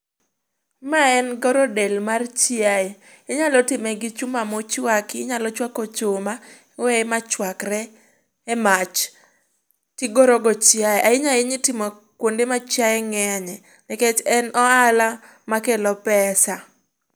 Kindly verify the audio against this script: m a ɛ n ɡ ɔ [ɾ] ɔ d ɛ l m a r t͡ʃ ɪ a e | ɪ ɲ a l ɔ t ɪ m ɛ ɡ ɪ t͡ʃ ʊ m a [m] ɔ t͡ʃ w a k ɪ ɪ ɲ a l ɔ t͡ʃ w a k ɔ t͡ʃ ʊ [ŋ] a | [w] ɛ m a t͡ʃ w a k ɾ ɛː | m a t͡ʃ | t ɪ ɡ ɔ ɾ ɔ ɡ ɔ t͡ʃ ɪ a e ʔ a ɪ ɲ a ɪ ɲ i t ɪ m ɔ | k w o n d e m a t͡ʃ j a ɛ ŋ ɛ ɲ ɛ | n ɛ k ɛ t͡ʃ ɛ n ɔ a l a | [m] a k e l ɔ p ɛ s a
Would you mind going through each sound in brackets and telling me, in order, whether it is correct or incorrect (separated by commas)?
correct, correct, incorrect, correct, correct